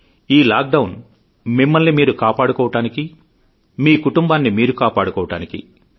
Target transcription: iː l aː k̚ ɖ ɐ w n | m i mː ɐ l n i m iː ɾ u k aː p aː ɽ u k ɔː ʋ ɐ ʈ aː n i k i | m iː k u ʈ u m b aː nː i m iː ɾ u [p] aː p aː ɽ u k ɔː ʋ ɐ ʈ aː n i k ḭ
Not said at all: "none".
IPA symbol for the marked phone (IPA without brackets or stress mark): k